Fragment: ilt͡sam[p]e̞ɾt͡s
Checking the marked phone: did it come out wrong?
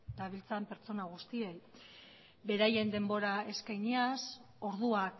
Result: no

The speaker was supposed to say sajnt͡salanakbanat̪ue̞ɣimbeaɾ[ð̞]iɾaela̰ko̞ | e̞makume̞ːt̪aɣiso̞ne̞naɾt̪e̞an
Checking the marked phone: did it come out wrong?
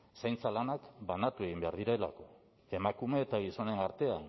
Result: no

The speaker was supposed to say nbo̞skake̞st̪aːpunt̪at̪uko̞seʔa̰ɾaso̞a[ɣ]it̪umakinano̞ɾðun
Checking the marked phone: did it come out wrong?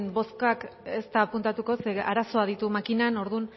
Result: yes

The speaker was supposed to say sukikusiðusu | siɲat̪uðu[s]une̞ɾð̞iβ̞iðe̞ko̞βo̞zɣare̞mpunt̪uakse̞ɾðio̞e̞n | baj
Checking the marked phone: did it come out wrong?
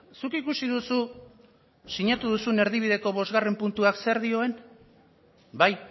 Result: no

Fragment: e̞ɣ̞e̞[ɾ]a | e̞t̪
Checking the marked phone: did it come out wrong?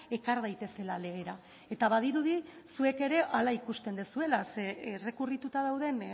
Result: no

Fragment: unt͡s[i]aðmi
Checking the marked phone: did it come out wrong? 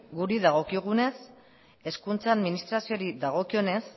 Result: yes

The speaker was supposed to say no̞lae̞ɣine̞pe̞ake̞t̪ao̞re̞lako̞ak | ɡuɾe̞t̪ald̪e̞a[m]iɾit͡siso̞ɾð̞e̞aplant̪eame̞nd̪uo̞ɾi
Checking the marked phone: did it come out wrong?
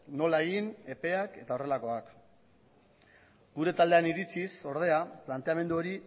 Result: yes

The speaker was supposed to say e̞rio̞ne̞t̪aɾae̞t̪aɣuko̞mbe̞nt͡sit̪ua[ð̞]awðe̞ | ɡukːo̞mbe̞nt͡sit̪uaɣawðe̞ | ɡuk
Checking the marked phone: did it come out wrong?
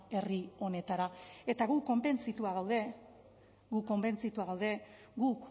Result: yes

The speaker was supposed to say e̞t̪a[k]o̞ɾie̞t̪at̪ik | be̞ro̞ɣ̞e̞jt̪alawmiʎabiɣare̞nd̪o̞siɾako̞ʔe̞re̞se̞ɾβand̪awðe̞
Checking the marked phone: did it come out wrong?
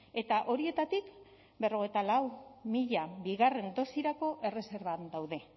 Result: yes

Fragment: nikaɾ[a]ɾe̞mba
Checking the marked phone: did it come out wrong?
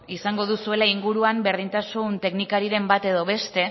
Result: yes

